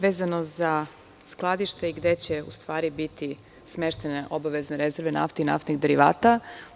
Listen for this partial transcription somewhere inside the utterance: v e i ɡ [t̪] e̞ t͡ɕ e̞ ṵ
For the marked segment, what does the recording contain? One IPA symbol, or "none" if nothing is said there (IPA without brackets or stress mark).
d̪